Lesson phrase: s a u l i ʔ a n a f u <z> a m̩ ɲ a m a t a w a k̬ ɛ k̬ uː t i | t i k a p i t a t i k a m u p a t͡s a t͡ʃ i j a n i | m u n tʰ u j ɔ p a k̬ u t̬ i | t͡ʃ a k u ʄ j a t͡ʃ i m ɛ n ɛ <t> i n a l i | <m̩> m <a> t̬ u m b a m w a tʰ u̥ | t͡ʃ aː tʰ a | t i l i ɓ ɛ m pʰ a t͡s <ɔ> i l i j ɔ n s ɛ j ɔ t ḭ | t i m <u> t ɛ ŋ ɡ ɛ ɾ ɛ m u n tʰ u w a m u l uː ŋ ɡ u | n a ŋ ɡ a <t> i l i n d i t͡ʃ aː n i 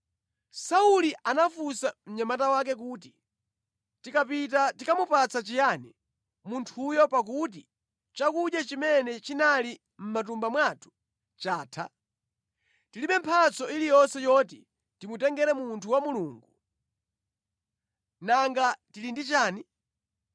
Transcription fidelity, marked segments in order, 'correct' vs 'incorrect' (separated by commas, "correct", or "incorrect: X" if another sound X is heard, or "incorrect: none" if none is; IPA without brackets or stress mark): incorrect: s, incorrect: t͡ʃ, correct, correct, correct, correct, correct